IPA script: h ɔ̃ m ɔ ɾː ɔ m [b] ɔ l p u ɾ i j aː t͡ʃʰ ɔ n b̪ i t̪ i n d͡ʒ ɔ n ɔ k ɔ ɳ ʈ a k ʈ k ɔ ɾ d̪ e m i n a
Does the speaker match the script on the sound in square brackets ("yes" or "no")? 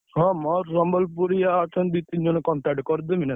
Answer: yes